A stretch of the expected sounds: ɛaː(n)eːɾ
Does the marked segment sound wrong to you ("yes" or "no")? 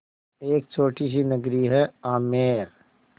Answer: yes